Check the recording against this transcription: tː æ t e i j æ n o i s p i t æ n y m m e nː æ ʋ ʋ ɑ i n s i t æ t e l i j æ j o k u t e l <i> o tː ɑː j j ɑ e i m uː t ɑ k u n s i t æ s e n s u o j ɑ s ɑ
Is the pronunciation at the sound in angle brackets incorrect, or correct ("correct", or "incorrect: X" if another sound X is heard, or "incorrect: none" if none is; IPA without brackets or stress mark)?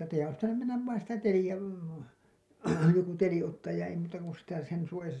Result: correct